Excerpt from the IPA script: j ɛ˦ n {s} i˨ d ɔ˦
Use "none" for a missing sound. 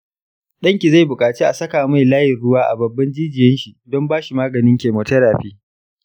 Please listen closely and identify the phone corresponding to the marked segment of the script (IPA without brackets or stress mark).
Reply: ʃ